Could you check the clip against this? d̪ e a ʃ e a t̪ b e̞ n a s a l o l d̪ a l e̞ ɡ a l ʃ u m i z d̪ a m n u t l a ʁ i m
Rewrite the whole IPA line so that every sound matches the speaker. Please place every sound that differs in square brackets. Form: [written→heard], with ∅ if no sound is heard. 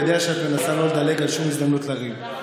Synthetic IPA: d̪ e a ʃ e a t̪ [b→m] e̞ n a s a l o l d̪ a l e̞ ɡ a l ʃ u m i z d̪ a m n u t l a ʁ i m